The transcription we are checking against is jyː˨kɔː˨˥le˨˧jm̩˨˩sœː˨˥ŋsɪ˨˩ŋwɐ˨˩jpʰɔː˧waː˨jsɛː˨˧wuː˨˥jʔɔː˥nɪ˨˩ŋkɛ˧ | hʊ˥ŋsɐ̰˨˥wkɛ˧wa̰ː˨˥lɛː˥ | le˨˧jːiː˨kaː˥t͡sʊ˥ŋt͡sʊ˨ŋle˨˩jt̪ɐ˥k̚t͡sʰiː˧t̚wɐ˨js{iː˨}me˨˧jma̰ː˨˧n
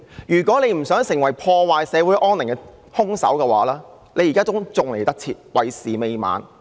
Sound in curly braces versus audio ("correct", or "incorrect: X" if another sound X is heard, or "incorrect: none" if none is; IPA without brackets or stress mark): correct